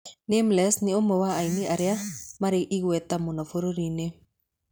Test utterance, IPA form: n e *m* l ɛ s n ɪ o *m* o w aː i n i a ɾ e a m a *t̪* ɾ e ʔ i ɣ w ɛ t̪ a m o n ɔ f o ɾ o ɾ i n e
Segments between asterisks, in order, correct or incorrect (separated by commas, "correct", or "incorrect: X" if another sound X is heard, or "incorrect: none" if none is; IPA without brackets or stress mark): correct, correct, incorrect: none